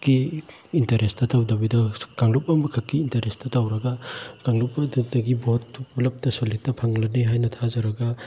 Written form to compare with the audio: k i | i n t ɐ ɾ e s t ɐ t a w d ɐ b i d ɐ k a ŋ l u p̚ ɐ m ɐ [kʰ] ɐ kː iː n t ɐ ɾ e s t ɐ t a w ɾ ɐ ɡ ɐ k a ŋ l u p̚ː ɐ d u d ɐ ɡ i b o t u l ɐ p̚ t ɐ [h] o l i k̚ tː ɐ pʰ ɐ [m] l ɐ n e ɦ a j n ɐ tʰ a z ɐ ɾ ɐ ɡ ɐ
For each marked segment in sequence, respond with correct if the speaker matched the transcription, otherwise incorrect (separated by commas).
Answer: correct, incorrect, incorrect